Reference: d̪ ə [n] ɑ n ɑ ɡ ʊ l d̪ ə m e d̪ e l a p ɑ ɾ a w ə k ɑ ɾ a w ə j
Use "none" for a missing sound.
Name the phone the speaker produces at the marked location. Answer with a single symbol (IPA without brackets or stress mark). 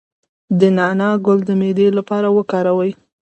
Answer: n